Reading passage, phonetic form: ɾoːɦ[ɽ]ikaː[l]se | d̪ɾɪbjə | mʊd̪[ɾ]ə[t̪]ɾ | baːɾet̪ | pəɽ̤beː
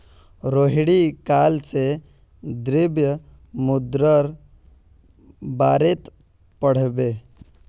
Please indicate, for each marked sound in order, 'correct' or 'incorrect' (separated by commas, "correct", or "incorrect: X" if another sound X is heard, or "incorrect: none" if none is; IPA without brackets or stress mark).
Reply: correct, correct, correct, incorrect: none